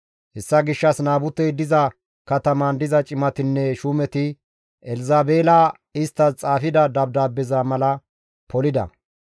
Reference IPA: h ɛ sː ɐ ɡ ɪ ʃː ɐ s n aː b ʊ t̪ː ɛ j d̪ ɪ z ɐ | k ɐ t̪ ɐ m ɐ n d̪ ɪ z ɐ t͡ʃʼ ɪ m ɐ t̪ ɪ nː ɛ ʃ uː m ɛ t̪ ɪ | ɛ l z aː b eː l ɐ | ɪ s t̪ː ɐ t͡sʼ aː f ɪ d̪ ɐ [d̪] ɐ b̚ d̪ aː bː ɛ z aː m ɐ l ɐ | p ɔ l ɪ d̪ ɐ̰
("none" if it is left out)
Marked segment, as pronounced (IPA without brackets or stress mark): d̪